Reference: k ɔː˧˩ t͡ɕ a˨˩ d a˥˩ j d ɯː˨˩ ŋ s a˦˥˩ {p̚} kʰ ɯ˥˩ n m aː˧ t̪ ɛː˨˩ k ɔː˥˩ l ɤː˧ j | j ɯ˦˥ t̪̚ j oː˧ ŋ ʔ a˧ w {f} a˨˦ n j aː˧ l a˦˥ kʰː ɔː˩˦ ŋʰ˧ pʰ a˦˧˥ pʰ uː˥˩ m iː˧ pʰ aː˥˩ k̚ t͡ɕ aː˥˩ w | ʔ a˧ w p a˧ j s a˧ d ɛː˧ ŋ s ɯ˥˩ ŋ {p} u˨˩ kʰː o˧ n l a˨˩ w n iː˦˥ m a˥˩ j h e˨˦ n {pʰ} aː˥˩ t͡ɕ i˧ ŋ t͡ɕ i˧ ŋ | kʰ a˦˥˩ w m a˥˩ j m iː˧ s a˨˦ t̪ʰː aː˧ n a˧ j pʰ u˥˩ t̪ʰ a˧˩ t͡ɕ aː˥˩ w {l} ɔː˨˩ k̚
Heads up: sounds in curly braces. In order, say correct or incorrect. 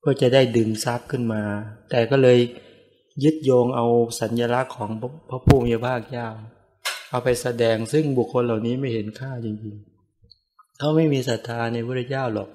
correct, incorrect, incorrect, incorrect, correct

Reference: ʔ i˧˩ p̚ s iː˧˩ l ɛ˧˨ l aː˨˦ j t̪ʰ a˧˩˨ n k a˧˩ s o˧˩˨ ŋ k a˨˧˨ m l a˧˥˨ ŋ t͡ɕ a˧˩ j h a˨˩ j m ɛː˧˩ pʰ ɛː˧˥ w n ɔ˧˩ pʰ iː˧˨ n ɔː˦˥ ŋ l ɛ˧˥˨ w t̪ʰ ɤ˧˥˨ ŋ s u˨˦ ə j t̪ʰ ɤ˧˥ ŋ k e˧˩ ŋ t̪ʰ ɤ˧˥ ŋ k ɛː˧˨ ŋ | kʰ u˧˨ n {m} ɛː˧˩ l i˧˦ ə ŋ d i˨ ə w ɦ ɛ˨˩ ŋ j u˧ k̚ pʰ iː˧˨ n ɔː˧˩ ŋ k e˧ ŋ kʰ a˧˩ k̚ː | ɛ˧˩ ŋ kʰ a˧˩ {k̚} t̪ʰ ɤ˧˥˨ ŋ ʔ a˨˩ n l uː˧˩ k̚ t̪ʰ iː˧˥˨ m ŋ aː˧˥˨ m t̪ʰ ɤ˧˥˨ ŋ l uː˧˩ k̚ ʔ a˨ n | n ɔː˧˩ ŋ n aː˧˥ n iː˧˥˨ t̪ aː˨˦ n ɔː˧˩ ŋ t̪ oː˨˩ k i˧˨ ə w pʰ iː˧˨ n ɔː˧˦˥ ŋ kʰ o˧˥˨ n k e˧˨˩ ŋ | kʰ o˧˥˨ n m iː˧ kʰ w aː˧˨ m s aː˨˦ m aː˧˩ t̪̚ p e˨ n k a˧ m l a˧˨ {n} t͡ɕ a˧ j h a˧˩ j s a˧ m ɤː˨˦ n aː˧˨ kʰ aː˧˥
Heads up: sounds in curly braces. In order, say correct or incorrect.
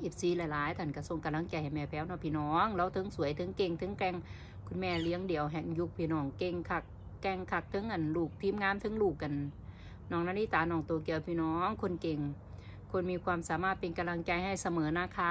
correct, correct, incorrect

